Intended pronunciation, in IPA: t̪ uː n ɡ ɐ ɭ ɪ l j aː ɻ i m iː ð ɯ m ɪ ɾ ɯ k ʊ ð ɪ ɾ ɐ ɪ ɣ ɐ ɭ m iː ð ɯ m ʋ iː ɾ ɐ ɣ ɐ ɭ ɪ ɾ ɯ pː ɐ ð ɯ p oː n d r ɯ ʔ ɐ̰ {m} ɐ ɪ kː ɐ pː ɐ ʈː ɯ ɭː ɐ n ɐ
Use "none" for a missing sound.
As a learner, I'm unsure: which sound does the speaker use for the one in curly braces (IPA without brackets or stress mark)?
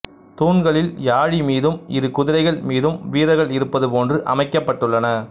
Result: m